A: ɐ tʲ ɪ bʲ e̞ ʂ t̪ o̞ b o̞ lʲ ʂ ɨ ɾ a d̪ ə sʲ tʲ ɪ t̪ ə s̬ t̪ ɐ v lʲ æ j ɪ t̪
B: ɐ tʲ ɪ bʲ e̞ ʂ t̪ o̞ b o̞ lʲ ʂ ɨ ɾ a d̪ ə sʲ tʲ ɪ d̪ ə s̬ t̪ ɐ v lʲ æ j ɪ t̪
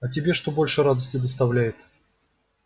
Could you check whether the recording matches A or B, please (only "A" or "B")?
B